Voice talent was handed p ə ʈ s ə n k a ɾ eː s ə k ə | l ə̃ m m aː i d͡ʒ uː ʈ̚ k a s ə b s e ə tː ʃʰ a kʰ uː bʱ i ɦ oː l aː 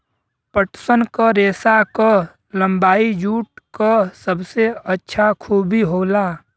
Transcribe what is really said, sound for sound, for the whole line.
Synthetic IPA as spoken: p ə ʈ s ə n k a ɾ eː s a k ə | l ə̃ m b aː i d͡ʒ uː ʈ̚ k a s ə b s e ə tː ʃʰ a kʰ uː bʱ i ɦ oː l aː